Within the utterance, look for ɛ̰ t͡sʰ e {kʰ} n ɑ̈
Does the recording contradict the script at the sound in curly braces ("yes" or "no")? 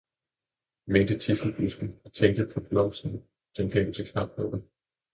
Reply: no